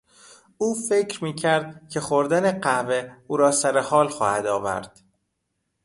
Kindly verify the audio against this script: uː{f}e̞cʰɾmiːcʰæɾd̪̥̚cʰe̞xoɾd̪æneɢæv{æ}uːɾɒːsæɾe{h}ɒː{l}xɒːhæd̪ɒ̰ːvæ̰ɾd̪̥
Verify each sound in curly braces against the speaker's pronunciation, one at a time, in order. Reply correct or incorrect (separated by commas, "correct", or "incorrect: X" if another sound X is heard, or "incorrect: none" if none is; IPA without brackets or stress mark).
correct, incorrect: e, correct, correct